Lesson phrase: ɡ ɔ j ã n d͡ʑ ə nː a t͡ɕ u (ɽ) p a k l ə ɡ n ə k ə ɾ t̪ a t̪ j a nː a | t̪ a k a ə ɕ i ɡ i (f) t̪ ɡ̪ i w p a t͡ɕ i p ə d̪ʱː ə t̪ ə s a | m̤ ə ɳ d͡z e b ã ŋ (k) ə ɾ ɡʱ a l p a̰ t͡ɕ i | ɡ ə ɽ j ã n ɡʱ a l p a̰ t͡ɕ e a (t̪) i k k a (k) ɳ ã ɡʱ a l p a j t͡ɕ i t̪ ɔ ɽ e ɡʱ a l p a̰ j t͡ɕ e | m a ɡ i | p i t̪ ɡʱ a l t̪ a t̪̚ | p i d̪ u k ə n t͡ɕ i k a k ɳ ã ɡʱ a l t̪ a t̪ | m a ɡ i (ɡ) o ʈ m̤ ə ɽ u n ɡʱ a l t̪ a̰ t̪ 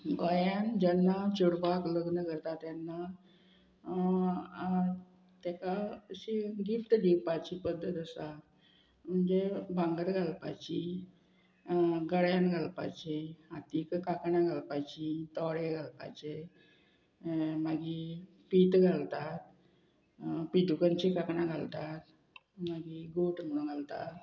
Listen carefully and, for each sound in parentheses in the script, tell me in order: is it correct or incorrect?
correct, correct, incorrect: ɡ, correct, correct, correct

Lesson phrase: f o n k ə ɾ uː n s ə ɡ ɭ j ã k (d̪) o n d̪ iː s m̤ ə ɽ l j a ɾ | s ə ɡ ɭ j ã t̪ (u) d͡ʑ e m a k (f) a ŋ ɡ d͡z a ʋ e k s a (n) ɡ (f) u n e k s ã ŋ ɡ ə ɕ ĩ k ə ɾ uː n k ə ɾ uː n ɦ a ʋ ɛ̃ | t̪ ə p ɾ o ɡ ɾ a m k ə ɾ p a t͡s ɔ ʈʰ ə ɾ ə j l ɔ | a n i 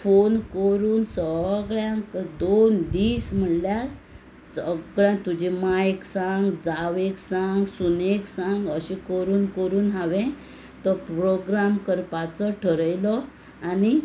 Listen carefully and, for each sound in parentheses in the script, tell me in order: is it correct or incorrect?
correct, correct, incorrect: s, incorrect: ŋ, incorrect: s

